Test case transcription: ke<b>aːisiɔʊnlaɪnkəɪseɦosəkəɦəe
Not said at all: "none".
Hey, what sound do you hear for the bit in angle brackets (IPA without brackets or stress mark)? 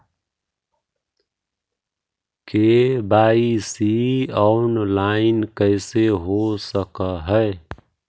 b